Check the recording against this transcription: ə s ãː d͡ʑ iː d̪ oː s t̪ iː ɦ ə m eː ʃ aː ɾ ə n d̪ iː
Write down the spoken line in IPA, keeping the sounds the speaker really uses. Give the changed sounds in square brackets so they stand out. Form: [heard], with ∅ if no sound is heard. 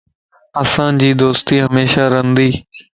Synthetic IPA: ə s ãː d͡ʑ iː d̪ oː s t̪ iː ɦ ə m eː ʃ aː ɾ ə n d̪ iː